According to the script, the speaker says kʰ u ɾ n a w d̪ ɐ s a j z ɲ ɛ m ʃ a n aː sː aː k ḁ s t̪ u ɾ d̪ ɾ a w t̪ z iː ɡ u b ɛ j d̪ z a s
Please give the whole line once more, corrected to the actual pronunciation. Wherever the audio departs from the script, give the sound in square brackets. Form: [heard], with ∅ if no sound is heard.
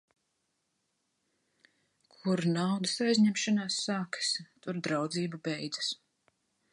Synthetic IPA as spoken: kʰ u ɾ n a w d̪ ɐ s a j z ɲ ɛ m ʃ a n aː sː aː k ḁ s t̪ u ɾ d̪ ɾ a w [d̪] z iː [b] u b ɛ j d̪ z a s